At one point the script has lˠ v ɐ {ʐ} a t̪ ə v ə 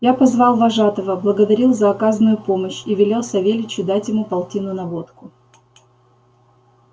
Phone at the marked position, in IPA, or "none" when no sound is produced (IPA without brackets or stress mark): ʐ